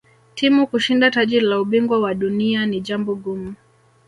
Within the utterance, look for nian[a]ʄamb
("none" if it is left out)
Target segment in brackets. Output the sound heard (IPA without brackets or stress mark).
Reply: i